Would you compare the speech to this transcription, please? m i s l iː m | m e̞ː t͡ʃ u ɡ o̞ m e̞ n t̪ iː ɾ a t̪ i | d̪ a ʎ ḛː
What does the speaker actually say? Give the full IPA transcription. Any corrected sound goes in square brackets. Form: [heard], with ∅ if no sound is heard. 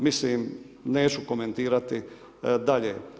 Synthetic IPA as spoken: m i s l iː m | [n] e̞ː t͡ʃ u [k] o̞ m e̞ n t̪ iː ɾ a t̪ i | d̪ a ʎ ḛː